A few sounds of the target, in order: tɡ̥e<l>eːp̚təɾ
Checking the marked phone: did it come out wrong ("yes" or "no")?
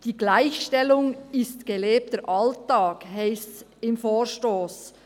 no